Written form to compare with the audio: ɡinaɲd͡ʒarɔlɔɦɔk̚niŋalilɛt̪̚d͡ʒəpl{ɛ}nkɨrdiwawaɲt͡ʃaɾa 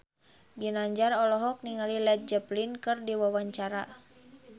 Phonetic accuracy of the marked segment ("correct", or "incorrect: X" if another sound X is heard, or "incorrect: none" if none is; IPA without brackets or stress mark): incorrect: i